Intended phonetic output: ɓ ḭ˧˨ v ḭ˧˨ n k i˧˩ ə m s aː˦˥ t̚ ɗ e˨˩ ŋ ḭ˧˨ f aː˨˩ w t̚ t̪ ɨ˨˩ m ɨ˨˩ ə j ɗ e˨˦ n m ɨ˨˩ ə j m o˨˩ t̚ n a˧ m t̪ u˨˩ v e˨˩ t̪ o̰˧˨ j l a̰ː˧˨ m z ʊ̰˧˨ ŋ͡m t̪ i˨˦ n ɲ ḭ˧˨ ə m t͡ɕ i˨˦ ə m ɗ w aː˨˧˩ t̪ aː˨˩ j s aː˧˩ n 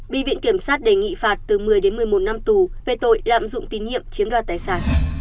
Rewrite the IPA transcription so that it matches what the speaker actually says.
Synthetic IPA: ɓ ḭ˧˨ v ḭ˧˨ n k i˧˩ ə m s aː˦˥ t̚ ɗ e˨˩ ŋ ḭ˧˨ f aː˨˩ t̚ t̪ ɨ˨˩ m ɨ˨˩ ə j ɗ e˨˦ n m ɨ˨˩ ə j m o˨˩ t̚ n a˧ m t̪ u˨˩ v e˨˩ t̪ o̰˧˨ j l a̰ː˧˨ m z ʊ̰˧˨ ŋ͡m t̪ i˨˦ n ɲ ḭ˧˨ ə m t͡ɕ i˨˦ ə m ɗ w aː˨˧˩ t̪ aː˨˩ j s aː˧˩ n